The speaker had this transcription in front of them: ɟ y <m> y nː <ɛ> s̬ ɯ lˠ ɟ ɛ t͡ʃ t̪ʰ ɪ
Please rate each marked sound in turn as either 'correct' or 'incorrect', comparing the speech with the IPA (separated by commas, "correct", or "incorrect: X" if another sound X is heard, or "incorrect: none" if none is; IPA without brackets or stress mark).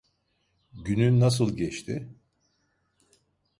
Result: incorrect: n, incorrect: a